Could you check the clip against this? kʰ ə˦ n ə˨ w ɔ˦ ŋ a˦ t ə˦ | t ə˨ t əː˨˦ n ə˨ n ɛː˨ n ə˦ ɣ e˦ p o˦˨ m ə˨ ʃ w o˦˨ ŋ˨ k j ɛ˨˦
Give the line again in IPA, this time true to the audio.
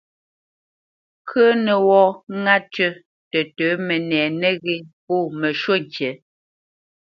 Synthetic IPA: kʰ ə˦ n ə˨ w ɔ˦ ŋ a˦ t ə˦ | t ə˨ t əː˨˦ m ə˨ n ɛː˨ n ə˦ ɣ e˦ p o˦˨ m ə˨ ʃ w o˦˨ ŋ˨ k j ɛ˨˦

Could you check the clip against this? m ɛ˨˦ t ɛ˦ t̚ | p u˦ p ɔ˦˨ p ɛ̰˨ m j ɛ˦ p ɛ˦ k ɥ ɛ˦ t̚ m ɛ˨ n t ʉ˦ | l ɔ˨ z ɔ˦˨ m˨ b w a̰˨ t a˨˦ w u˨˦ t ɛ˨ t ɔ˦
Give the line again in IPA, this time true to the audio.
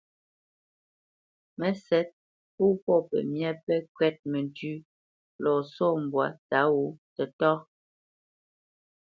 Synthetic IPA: m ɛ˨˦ s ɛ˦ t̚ | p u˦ p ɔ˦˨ p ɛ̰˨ m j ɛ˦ p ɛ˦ k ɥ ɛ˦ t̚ m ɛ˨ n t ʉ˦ | l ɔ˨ s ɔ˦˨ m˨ b w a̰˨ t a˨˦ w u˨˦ t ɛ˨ t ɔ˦

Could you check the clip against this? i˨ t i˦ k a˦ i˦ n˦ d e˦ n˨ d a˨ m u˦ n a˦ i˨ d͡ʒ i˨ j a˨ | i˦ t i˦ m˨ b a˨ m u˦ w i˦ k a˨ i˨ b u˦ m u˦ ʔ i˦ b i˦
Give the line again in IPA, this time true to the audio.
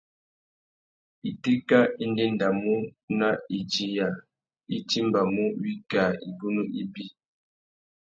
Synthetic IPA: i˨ t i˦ k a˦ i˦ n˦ d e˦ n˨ d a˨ m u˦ n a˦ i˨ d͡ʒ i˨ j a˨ | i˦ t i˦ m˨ b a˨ m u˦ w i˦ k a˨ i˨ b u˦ n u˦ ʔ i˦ b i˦

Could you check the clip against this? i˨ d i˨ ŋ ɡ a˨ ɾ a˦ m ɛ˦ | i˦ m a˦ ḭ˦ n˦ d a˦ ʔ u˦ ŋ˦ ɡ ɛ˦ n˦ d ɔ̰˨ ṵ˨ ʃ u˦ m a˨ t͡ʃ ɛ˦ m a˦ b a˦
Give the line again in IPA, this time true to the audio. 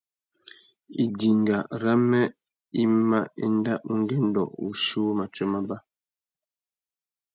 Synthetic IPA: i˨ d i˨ ŋ ɡ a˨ ɾ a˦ m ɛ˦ | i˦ m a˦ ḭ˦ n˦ d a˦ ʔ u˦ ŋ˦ ɡ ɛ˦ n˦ d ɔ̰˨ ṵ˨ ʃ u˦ m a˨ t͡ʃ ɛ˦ m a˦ b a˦

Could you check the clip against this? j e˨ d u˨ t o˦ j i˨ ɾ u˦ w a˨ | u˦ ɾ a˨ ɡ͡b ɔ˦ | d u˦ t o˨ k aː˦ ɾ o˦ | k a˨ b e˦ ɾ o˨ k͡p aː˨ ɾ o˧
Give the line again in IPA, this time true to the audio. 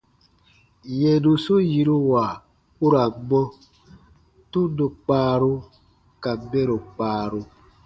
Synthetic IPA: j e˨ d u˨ s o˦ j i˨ ɾ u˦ w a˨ | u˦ ɾ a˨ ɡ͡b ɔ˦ | t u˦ d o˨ k͡p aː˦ ɾ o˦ | k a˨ b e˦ ɾ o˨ k͡p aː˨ ɾ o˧

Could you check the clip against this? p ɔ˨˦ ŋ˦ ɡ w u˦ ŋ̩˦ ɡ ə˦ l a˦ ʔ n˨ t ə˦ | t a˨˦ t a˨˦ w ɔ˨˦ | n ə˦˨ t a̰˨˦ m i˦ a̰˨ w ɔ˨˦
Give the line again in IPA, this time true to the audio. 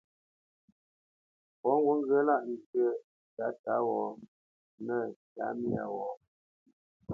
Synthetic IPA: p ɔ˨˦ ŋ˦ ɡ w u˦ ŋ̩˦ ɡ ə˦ l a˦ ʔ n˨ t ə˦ | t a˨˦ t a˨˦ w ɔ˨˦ | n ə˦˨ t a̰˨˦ m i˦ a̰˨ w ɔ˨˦

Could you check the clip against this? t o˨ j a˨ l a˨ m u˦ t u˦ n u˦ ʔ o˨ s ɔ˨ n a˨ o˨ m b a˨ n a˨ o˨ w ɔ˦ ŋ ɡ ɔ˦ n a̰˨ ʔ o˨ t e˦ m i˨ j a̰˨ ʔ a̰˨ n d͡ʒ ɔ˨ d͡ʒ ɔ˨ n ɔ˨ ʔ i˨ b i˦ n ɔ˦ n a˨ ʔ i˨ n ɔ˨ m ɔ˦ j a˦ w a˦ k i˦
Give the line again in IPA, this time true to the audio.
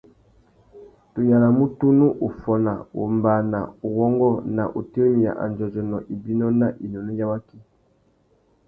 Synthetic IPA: t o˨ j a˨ l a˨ m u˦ t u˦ n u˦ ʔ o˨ f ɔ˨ n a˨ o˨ m b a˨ n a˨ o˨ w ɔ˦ ŋ ɡ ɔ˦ n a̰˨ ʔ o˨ t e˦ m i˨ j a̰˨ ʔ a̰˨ n d͡ʒ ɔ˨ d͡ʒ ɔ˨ n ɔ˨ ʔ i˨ b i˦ n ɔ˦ n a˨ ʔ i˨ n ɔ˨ n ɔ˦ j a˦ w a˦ k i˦

